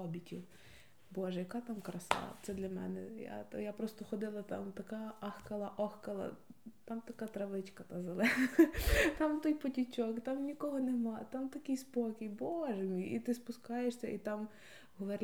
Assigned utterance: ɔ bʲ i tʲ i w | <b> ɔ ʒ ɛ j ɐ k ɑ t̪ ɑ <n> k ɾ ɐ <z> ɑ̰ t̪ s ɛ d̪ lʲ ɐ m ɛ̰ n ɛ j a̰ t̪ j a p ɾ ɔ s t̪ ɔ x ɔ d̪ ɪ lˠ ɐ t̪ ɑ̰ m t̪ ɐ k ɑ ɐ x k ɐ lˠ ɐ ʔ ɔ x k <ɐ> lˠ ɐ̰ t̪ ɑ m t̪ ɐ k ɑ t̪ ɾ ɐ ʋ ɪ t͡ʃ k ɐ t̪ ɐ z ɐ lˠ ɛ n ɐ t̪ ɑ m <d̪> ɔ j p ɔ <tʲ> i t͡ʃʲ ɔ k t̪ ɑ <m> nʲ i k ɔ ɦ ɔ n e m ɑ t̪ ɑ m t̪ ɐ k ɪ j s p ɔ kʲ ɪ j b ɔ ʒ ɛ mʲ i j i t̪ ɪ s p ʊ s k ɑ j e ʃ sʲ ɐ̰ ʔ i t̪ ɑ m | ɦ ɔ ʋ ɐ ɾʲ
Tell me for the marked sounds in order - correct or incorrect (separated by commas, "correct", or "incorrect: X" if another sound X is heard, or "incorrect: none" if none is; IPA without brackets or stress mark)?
correct, incorrect: m, incorrect: s, correct, incorrect: t̪, correct, correct